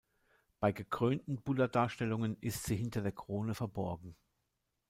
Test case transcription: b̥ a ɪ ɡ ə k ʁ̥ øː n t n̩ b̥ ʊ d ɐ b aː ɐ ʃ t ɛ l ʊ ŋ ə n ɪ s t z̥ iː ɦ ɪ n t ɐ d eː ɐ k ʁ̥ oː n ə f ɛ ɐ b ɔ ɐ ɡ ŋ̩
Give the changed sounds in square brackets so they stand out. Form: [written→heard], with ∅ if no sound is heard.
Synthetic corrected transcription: b̥ a ɪ ɡ ə k ʁ̥ øː n t n̩ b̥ ʊ d ɐ [b→d] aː ɐ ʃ t ɛ l ʊ ŋ ə n ɪ s t z̥ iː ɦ ɪ n t ɐ d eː ɐ k ʁ̥ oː n ə f ɛ ɐ b ɔ ɐ ɡ ŋ̩